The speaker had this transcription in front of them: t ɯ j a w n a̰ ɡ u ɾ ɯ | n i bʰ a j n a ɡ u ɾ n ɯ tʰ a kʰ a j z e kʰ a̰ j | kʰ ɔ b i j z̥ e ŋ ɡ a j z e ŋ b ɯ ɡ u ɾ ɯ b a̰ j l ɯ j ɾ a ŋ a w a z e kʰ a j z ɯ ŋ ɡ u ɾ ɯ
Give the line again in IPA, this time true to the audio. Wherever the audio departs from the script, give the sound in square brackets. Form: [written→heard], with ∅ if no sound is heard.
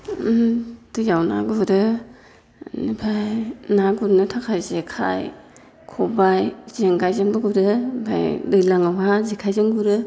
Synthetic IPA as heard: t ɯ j a w n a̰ ɡ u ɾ ɯ | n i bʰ a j n a ɡ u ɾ n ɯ tʰ a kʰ a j z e kʰ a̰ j | kʰ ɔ b [i→a] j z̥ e ŋ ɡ a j z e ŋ b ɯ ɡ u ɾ ɯ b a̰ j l ɯ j [ɾ→l] a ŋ a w a z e kʰ a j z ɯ ŋ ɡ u ɾ ɯ